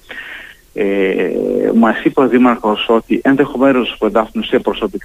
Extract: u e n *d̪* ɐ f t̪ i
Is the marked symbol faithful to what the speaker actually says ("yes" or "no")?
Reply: yes